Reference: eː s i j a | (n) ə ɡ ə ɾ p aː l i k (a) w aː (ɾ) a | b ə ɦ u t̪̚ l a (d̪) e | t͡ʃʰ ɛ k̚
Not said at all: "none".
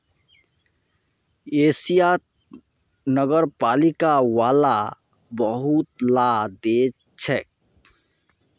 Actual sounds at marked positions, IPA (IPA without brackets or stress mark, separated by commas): n, a, l, d̪